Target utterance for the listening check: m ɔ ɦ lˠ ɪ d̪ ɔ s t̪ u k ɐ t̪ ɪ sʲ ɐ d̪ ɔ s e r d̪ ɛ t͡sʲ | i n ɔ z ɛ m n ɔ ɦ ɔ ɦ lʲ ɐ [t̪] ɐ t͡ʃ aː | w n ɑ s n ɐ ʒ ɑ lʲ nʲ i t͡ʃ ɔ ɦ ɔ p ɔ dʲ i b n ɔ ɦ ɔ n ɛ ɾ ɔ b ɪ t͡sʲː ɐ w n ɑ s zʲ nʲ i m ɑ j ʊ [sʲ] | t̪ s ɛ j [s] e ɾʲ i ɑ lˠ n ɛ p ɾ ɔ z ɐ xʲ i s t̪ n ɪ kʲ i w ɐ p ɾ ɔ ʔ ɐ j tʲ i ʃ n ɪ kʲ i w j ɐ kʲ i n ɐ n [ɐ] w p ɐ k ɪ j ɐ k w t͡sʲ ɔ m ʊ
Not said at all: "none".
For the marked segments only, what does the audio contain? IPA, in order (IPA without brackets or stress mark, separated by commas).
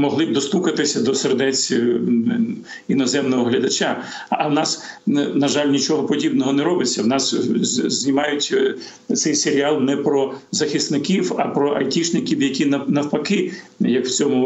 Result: d̪, tʲ, s, ɐ